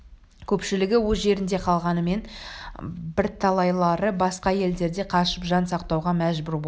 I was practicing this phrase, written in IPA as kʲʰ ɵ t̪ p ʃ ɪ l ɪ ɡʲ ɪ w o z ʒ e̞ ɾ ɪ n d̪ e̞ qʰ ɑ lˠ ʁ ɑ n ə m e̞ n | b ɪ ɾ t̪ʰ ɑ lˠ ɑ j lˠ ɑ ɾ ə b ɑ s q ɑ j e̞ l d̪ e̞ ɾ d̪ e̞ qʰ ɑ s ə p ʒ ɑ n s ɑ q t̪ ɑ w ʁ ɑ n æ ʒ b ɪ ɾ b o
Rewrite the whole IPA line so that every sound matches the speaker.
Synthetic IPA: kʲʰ ɵ p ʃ ɪ l ɪ ɡʲ ɪ w o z ʒ e̞ ɾ ɪ n d̪ e̞ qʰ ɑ lˠ ʁ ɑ n ə m e̞ n | b ɪ ɾ t̪ʰ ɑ lˠ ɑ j lˠ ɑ ɾ ə b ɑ s q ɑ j e̞ l d̪ e̞ ɾ d̪ e̞ qʰ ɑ ʃ ə p ʒ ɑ n s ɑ q t̪ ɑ w ʁ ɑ m æ ʒ b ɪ ɾ b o